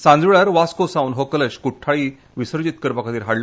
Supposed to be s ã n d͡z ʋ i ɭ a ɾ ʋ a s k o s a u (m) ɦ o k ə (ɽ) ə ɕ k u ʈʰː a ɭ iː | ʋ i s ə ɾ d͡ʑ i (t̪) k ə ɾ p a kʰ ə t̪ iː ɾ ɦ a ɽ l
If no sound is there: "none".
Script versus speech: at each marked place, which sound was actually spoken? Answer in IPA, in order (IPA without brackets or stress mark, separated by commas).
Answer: n, l, t̪